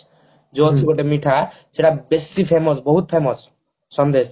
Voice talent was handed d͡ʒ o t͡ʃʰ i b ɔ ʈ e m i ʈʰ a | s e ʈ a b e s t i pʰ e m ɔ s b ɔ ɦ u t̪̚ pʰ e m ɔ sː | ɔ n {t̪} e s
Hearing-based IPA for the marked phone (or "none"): d̪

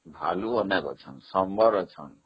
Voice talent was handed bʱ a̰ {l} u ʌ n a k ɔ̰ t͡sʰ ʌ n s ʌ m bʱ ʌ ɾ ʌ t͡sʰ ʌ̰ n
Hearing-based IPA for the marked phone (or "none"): l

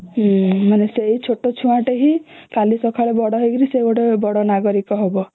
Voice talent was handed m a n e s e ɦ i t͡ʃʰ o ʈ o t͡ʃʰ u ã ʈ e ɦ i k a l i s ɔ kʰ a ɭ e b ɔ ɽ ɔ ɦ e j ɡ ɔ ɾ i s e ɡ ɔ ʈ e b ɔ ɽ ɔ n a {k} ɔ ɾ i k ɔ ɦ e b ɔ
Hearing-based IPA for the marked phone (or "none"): ɡ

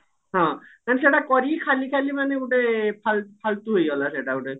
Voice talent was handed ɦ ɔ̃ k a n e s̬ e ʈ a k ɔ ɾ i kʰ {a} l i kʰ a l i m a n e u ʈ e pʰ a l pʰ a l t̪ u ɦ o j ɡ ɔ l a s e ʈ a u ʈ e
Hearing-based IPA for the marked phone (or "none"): a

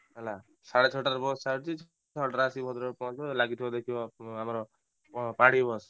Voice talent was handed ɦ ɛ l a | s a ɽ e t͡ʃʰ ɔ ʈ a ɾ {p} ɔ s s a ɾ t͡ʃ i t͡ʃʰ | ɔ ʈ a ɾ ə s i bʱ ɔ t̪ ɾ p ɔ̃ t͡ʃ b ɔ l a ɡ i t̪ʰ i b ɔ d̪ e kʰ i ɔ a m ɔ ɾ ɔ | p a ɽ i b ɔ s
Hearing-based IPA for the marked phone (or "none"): b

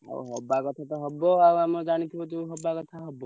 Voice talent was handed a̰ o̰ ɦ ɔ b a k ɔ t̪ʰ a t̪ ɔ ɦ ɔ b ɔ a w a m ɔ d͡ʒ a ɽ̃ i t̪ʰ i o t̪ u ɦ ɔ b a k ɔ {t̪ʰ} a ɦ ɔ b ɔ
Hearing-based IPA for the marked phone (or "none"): t̪ʰ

